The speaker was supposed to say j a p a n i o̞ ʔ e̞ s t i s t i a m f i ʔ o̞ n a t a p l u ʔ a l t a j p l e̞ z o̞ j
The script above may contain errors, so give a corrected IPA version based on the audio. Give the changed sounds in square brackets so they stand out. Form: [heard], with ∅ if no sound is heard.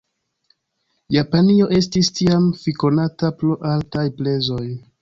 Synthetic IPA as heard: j a p a n i o̞ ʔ e̞ s t i s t i a m f i [k] o̞ n a t a p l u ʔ a l t a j p l e̞ z o̞ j